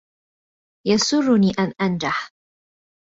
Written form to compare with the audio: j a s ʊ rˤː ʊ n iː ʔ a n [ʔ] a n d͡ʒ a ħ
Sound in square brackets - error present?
no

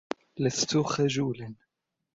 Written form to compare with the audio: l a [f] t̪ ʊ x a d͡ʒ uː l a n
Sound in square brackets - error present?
yes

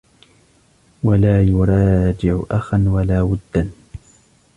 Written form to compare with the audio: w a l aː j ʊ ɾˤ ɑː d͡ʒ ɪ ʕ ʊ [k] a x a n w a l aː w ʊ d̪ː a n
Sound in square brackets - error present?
yes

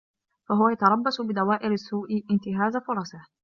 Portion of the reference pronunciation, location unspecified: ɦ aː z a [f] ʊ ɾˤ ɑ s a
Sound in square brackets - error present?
no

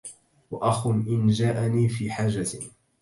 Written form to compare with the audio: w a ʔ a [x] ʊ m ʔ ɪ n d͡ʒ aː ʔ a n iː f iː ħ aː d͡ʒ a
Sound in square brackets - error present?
no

